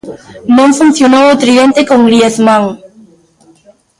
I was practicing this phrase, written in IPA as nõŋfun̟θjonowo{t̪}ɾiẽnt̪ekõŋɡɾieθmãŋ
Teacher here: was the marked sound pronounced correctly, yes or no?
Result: yes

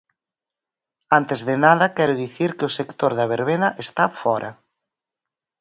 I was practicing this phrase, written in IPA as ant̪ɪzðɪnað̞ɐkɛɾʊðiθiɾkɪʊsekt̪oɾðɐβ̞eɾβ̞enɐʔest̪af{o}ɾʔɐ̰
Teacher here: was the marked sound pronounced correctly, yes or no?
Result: no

